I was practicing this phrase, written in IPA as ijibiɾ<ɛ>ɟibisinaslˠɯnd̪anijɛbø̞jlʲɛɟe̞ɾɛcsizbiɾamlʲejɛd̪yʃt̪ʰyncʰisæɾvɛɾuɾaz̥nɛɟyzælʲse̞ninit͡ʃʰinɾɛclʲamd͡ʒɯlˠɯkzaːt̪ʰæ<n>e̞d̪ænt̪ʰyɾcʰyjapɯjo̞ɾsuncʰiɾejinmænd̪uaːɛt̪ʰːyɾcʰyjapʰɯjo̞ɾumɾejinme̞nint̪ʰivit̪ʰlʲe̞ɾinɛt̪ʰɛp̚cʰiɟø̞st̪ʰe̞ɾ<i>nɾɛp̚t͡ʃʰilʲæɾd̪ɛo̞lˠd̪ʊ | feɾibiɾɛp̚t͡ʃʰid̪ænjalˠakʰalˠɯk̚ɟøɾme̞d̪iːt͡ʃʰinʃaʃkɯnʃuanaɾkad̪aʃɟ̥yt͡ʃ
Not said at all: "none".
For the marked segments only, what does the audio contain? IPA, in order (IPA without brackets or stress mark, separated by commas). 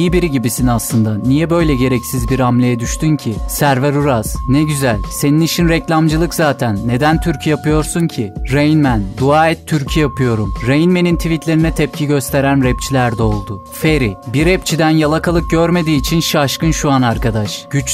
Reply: i, nː, æ